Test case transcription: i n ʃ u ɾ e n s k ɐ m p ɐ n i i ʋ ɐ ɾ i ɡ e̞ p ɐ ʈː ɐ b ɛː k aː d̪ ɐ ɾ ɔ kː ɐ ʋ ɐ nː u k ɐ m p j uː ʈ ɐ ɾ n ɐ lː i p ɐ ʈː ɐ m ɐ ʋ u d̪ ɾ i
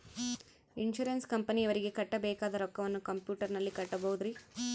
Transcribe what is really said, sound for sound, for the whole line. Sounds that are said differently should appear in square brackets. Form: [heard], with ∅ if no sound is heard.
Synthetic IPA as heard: i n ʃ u ɾ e n s k ɐ m p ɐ n i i ʋ ɐ ɾ i ɡ e̞ [k] ɐ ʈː ɐ b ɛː k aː d̪ ɐ ɾ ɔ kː ɐ ʋ ɐ nː u k ɐ m p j uː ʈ ɐ ɾ n ɐ lː i [k] ɐ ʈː ɐ [b] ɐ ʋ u d̪ ɾ i